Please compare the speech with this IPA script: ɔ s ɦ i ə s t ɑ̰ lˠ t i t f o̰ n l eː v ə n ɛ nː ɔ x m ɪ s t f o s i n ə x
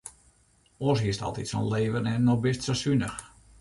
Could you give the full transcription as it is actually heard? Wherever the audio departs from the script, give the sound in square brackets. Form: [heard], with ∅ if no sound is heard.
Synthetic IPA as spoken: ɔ s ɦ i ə s t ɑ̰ lˠ t i t [s] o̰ n l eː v ə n ɛ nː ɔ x [b] ɪ s t [s] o s [y] n ə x